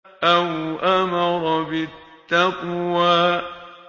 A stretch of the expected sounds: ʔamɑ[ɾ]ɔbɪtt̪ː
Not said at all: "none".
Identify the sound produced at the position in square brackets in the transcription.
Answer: ɾ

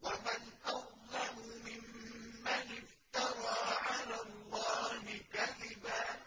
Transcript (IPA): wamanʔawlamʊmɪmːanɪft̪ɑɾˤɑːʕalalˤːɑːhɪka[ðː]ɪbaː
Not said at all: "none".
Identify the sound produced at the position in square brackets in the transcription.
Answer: ð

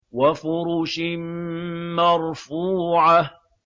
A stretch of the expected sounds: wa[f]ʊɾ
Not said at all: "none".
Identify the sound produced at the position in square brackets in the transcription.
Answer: f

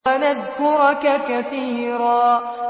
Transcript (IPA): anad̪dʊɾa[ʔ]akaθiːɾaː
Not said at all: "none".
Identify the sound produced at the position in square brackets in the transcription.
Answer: k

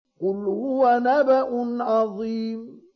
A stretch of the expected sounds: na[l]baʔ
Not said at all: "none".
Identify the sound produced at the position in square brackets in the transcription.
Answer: none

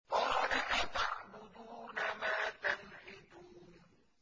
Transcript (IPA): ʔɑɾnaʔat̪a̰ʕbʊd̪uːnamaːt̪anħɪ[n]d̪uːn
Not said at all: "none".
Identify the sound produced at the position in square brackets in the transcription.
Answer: none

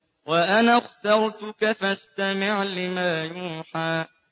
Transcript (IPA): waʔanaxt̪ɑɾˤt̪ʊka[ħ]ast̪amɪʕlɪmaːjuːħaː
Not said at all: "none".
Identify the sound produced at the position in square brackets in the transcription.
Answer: f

